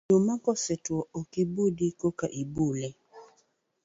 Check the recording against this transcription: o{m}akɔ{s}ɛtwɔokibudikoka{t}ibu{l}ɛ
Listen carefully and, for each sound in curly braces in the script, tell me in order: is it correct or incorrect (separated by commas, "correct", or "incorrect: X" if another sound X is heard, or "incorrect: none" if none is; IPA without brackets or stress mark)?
correct, correct, incorrect: ʔ, correct